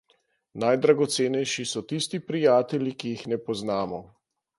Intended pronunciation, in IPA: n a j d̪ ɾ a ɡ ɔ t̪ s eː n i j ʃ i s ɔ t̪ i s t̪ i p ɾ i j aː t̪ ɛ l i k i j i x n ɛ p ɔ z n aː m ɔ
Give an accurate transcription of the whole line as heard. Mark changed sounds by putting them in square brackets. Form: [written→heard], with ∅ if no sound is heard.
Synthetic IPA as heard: n a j d̪ ɾ a ɡ ɔ t̪ s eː n [i→ɛ] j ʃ i s ɔ t̪ i s t̪ i p ɾ i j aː t̪ ɛ l i k i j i x n ɛ p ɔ z n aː m ɔ